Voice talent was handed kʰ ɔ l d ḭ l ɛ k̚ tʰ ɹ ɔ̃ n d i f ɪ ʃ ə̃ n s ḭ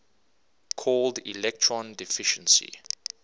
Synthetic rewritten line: kʰ ɔ l d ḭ l ɛ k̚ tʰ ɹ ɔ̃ n d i f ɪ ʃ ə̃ n s ḭ